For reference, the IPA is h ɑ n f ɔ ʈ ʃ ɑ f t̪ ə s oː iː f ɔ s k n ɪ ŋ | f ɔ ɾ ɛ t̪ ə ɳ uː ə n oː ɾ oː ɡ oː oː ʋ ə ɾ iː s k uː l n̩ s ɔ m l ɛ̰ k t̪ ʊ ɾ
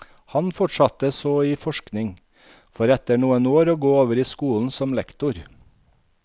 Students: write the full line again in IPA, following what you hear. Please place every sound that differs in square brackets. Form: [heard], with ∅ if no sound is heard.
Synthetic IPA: h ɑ n f ɔ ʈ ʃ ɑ [∅] t̪ ə s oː iː f ɔ [ʃ] k n ɪ ŋ | f ɔ ɾ ɛ t̪ ə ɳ uː ə n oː ɾ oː ɡ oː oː ʋ ə ɾ iː s k uː l n̩ s ɔ m l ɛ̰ k t̪ ʊ ɾ